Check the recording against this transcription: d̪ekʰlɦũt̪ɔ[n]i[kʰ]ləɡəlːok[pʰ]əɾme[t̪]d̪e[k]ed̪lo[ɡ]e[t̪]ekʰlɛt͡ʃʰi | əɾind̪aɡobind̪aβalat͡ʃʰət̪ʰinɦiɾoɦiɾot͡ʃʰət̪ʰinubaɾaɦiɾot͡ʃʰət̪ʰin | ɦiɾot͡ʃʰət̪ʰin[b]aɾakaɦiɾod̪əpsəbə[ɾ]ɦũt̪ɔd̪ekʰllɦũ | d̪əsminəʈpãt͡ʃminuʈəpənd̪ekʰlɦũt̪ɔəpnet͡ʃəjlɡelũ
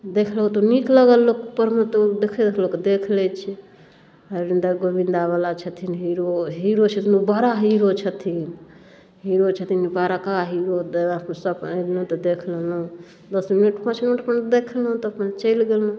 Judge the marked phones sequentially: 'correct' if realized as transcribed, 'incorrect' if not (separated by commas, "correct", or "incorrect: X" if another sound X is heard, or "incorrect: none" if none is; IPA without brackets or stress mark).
correct, incorrect: k, incorrect: p, correct, incorrect: kʰ, incorrect: k, incorrect: d̪, correct, incorrect: l